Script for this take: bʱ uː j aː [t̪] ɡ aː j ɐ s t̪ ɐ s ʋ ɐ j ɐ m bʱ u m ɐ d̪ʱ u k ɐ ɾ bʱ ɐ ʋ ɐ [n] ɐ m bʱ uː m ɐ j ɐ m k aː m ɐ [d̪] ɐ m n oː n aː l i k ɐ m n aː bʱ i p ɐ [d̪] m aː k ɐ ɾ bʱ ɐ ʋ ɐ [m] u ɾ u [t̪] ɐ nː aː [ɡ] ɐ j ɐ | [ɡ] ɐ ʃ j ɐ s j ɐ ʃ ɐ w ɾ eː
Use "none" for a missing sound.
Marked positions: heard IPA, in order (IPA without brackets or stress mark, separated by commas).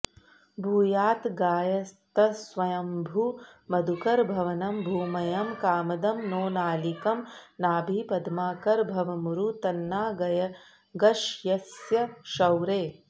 t̪, n, d̪, d̪, m, t̪, ɡ, ɡ